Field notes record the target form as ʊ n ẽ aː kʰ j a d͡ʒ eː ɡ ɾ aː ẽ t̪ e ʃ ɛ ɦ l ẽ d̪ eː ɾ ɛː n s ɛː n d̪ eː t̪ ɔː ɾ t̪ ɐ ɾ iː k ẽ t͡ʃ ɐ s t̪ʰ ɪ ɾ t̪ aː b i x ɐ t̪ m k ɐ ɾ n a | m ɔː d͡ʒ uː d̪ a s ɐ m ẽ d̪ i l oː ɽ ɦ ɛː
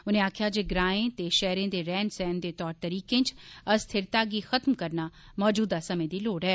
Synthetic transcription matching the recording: ʊ n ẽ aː kʰ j a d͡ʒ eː ɡ ɾ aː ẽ t̪ e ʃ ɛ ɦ ɾ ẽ d̪ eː ɾ ɛː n s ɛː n d̪ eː t̪ ɔː ɾ t̪ ɐ ɾ iː k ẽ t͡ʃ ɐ s t̪ʰ ɪ ɾ t̪ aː ɡ i x ɐ t̪ m k ɐ ɾ n a | m ɔː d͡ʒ uː d̪ a s ɐ m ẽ d̪ i l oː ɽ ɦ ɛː